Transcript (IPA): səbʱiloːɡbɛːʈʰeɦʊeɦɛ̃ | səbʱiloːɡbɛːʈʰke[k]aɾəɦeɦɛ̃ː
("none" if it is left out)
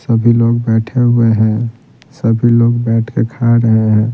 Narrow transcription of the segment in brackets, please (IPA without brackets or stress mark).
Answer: kʰ